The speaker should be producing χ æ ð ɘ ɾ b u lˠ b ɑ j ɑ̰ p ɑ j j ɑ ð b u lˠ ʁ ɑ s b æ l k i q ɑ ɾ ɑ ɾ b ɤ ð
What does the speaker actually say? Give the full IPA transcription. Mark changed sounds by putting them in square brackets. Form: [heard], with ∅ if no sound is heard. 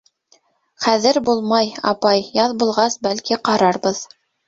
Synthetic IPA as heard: χ æ ð ɘ ɾ b u lˠ [m] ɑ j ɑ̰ p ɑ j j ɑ ð b u lˠ ʁ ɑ s b æ l k i q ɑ ɾ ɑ ɾ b ɤ ð